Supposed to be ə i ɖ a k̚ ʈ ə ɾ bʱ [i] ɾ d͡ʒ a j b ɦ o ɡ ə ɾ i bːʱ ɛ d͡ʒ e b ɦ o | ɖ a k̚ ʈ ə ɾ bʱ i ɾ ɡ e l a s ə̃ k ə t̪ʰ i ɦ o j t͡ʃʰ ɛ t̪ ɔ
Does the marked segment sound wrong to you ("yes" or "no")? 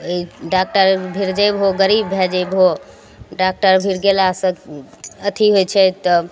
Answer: no